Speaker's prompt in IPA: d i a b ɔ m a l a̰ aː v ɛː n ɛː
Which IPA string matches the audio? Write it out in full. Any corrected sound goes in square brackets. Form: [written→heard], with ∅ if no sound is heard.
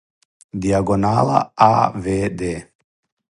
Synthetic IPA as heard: d i a [b→ɡ] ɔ [m→n] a l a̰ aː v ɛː [n→d] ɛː